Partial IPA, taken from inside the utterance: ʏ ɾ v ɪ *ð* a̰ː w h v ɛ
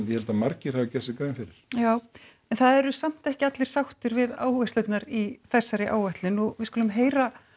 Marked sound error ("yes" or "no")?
no